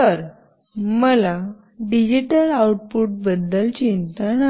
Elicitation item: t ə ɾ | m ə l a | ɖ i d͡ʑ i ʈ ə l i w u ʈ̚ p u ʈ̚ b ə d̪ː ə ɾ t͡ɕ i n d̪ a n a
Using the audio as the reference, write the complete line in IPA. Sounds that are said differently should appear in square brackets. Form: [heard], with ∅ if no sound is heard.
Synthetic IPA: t ə ɾ | m ə l a | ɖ i d͡ʑ i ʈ ə l [a] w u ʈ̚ p u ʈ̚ b ə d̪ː ə [l] t͡ɕ i n [t̪] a n a